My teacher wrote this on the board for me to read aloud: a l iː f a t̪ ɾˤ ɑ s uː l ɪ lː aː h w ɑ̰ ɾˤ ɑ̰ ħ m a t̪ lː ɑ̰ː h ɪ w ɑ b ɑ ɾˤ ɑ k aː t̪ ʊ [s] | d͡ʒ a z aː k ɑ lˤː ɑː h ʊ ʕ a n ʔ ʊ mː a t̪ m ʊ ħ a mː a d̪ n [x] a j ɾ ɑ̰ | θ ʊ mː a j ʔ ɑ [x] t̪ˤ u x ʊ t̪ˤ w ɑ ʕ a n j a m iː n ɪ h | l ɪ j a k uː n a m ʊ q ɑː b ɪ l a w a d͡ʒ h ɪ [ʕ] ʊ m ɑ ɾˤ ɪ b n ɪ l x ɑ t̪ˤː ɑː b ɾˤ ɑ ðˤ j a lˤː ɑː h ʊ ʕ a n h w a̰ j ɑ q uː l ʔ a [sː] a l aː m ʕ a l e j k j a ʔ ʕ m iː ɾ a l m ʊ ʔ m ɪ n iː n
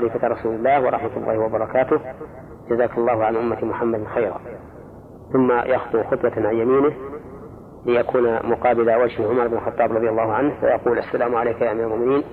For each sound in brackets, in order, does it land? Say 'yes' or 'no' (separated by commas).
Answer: no, yes, yes, yes, yes